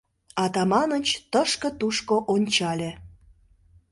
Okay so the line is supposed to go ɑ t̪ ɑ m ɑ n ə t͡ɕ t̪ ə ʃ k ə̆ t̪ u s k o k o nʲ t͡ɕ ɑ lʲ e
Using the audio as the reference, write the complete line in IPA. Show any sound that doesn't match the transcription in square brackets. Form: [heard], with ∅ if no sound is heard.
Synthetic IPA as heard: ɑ t̪ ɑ m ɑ n ə t͡ɕ t̪ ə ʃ k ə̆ t̪ u [ʃ] k o [ʔ] o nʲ t͡ɕ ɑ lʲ e